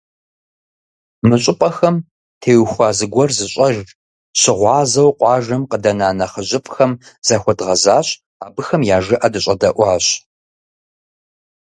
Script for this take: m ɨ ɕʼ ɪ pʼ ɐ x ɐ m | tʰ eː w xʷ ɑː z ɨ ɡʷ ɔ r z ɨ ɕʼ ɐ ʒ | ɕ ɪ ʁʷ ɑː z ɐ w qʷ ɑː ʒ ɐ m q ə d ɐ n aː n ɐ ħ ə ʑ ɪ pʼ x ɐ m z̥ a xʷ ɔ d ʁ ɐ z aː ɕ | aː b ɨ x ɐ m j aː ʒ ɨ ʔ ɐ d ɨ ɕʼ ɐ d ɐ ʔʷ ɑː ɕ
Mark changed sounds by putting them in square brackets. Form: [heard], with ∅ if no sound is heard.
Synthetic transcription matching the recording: m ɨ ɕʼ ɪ pʼ ɐ x ɐ m | tʰ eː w xʷ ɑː z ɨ ɡʷ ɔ r z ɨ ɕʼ ɐ ʒ | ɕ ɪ ʁʷ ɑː z ɐ w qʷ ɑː ʒ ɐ m q ə d ɐ n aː n ɐ [χ] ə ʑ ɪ pʼ x ɐ m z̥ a xʷ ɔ d ʁ ɐ z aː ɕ | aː b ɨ x ɐ m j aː ʒ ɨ ʔ ɐ d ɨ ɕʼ ɐ d ɐ ʔʷ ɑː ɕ